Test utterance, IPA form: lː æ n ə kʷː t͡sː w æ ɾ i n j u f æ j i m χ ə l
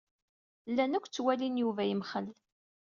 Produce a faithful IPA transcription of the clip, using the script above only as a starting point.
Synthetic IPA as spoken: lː æ n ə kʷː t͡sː w æ l i n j u v æ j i m χ ə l